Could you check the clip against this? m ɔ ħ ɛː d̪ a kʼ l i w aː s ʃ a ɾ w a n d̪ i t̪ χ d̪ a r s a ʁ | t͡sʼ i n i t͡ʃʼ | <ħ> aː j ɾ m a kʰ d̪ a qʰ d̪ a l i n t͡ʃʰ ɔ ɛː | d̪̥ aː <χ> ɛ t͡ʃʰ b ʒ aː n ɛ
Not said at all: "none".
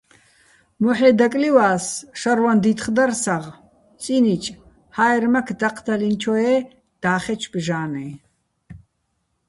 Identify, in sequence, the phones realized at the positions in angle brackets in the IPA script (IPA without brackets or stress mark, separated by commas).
h, χ